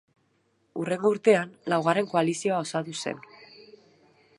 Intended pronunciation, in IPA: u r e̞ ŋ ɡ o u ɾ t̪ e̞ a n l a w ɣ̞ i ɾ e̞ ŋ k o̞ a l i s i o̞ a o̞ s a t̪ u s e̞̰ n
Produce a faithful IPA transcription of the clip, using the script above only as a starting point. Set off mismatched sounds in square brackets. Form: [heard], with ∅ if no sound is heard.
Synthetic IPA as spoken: u r e̞ ŋ ɡ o u ɾ t̪ e̞ a n l a w ɣ̞ [a] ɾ e̞ ŋ k o̞ a l i s i o̞ a o̞ s a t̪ u s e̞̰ n